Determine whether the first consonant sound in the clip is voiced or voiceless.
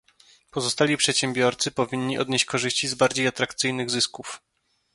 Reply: voiceless